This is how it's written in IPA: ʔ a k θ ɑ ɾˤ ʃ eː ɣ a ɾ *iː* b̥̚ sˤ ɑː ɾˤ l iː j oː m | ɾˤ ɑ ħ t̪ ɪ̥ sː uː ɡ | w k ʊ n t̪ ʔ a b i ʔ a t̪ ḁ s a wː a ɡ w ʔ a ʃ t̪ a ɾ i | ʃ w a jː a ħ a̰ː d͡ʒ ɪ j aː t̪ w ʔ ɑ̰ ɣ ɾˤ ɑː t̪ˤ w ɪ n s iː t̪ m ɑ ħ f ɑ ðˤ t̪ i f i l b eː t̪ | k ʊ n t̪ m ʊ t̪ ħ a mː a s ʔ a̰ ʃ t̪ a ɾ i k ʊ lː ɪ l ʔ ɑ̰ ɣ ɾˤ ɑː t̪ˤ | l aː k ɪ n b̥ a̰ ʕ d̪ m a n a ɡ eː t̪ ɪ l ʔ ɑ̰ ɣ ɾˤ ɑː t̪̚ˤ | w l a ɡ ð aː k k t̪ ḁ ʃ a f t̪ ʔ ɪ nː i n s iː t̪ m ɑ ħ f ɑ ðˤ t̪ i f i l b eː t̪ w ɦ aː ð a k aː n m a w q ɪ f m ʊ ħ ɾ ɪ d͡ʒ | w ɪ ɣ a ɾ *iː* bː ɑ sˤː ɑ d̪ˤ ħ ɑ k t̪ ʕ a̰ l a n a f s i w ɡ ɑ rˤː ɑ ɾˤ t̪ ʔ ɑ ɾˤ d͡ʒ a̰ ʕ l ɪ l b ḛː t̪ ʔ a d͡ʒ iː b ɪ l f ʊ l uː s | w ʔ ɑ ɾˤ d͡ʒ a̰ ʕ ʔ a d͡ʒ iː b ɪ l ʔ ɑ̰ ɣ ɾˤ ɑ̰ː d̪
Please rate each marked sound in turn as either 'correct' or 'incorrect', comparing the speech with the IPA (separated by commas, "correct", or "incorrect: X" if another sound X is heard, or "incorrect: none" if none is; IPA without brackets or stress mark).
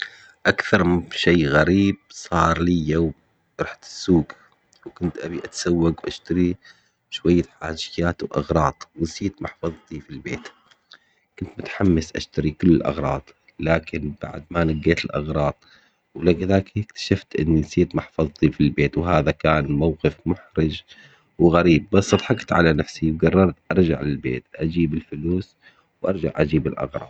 correct, correct